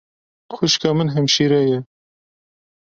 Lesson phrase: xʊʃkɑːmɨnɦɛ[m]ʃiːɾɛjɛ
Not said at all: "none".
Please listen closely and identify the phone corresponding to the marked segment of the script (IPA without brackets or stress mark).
m